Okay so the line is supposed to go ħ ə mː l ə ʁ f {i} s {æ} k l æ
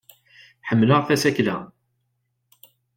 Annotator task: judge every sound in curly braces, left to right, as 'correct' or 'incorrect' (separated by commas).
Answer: incorrect, correct